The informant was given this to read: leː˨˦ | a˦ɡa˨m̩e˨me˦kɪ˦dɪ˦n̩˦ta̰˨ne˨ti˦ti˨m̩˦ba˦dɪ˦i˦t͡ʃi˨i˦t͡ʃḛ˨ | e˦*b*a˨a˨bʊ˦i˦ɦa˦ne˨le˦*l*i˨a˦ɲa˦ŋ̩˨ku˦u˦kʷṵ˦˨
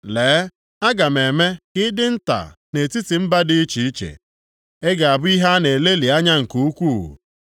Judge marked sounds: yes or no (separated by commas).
no, yes